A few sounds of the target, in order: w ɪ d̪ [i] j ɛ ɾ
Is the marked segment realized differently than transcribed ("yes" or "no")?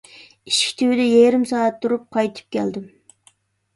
yes